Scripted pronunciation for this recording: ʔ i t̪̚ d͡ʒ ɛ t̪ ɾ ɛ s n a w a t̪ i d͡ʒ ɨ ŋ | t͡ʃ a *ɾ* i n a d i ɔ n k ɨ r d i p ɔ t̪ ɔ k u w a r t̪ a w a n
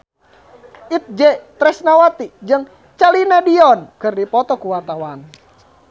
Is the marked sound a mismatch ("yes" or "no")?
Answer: yes